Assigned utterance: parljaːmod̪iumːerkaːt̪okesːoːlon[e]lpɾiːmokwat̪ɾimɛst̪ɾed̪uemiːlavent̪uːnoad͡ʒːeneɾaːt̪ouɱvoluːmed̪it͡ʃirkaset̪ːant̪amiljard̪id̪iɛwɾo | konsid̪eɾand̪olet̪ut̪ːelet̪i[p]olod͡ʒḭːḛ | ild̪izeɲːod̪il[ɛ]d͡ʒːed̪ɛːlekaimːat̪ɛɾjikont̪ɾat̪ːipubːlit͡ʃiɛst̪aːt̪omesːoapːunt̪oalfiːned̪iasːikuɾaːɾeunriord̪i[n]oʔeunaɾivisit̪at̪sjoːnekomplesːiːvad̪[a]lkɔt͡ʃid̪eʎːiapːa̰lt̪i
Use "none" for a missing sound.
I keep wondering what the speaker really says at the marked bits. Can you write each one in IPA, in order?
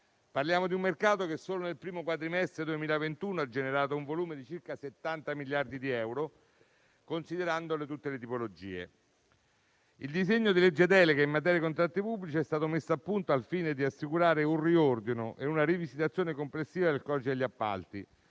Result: e, p, e, n, e

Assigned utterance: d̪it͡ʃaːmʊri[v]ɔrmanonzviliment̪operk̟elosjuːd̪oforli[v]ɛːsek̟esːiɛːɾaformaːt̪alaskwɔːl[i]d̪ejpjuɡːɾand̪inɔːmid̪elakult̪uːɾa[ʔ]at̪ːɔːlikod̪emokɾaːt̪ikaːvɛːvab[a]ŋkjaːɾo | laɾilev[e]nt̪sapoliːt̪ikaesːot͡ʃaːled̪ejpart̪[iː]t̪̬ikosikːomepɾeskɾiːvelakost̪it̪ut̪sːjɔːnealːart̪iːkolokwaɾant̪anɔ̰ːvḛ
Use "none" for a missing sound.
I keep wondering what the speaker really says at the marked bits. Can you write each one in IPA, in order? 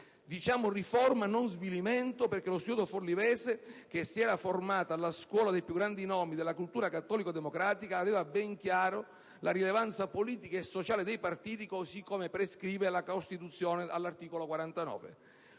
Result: f, v, a, k, ɛ, a, iː

